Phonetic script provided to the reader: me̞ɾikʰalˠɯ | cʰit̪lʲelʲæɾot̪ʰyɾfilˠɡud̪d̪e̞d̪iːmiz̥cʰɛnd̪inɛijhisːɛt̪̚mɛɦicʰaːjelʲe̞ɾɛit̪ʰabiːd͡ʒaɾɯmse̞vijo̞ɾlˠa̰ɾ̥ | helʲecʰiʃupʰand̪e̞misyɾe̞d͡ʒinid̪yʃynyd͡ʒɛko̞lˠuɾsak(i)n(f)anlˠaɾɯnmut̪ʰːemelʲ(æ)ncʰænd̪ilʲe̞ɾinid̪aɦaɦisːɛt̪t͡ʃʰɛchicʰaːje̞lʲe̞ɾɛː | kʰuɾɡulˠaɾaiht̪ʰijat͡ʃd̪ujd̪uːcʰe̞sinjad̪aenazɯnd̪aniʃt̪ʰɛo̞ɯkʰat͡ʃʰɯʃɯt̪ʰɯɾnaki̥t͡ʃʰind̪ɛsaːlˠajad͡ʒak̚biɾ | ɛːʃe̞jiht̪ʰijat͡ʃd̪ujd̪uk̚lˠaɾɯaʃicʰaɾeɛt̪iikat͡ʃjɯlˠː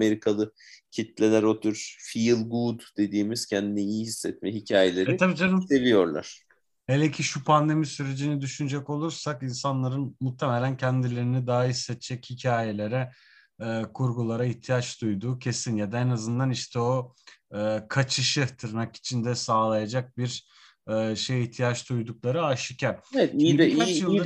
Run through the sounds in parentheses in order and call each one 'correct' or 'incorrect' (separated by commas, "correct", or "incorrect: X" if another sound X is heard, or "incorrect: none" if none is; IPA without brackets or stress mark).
correct, incorrect: s, correct